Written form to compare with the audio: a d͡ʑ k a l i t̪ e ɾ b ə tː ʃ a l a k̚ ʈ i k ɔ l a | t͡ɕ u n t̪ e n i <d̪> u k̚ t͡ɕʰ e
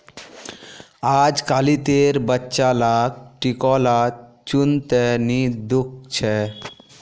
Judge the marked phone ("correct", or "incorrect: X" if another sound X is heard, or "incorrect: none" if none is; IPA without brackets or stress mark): correct